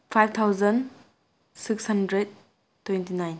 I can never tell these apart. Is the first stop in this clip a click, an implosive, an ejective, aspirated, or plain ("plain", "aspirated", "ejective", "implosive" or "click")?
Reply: aspirated